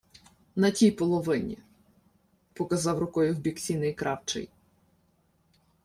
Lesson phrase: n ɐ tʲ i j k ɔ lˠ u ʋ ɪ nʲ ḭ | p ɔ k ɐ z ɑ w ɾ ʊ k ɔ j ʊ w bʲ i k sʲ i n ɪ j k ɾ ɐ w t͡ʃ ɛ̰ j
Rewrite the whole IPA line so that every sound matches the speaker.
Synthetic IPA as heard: n ɐ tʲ i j p ɔ lˠ ɔ ʋ ɪ nʲ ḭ | p ɔ k ɐ z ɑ w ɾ ʊ k ɔ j ʊ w bʲ i k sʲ i n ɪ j k ɾ ɑ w t͡ʃ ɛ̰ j